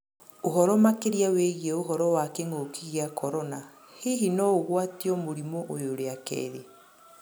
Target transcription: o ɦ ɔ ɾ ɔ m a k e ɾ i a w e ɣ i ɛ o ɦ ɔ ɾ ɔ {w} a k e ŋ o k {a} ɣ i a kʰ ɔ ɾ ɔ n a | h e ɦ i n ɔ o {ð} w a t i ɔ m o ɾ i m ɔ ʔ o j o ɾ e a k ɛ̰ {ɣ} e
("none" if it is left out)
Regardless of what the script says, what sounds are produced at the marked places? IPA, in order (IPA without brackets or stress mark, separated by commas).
w, i, ɣ, ð